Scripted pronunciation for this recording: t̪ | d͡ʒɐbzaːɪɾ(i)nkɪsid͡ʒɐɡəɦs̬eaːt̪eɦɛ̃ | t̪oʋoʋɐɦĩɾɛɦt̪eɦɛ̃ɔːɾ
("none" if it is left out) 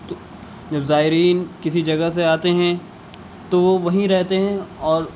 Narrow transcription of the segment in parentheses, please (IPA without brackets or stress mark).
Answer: iː